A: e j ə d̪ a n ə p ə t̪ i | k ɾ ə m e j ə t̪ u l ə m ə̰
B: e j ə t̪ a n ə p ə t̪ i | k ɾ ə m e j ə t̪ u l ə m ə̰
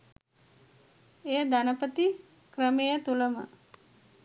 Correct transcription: A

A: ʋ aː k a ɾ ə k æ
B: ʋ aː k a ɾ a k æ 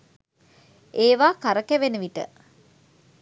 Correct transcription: A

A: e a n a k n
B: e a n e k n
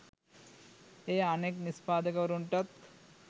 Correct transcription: B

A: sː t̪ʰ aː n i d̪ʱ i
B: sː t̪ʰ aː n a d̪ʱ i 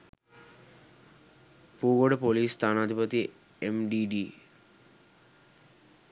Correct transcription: B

